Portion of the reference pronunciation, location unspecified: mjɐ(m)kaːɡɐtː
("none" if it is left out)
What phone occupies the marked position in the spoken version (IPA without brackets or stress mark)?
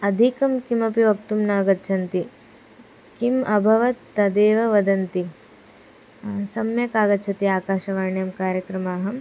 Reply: none